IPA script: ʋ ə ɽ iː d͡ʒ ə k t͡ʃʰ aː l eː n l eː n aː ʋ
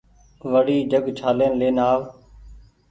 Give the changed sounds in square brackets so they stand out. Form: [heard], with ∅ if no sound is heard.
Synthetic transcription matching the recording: ʋ ə ɽ iː d͡ʒ ə [ɡ] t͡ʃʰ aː l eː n l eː n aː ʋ